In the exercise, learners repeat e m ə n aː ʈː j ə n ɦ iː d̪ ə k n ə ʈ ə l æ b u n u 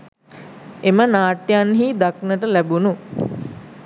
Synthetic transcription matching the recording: e m ə n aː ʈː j a n ɦ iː d̪ a k n ə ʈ ə l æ b u n u